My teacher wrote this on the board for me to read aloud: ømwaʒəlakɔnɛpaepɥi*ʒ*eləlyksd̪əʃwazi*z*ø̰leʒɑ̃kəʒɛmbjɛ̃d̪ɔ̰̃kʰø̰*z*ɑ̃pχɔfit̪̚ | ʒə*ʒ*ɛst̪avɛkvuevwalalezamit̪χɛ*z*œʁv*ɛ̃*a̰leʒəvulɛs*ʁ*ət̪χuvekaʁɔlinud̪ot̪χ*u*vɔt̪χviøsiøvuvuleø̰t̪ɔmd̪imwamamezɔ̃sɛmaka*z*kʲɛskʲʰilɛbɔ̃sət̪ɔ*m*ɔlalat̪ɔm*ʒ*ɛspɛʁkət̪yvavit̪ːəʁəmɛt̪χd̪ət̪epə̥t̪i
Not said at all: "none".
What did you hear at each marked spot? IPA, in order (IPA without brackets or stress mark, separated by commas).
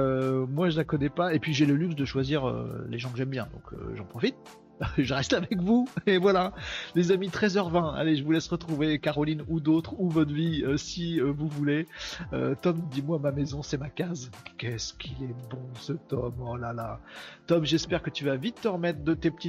ʒ, ʁ, ʒ, ʁ, z, ɛ̃, ʁ, u, z, m, ʒ